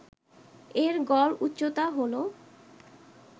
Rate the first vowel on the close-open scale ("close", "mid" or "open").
mid